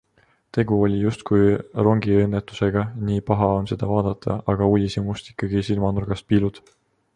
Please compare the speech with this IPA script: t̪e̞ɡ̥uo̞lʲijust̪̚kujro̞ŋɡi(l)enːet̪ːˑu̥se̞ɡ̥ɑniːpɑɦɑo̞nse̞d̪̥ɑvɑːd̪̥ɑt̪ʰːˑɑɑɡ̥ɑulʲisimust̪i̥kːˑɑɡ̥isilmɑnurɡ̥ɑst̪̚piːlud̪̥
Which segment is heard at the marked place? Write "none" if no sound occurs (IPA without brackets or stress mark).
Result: none